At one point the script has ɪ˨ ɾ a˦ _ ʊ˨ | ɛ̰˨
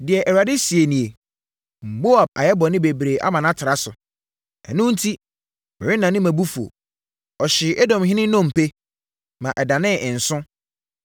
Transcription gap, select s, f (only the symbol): s